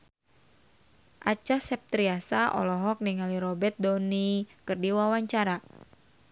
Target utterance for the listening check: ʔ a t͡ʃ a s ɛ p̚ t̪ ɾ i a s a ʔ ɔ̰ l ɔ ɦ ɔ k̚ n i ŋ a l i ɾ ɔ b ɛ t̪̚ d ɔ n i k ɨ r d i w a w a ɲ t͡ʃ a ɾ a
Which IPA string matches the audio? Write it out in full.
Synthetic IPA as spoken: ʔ a t͡ʃ a s ɛ p̚ t̪ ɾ i a s a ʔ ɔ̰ l ɔ ɦ ɔ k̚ n i ŋ a l i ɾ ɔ b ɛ t̪̚ d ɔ n i k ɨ r d i w a w a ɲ t͡ʃ a ɾ a